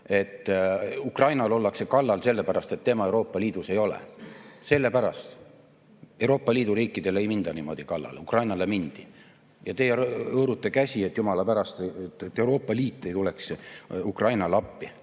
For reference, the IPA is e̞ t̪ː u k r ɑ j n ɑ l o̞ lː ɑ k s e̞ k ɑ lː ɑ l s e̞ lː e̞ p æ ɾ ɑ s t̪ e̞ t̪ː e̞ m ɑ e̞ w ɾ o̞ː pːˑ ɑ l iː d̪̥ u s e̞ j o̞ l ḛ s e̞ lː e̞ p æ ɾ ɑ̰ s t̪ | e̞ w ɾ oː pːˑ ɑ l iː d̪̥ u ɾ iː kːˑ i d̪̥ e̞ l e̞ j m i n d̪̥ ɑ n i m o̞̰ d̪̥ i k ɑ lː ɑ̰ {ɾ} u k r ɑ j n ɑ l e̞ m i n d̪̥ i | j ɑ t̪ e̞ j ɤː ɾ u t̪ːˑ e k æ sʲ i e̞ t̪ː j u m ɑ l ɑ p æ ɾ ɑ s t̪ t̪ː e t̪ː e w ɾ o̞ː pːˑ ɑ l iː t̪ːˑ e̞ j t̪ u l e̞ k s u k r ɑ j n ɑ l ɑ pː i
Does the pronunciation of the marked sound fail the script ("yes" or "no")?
yes